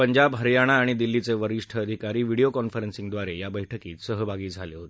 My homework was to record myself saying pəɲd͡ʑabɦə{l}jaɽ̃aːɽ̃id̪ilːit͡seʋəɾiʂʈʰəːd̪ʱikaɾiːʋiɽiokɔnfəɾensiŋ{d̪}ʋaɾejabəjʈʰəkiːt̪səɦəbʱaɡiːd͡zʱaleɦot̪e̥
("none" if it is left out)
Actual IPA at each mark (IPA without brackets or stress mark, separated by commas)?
ɾ, d̪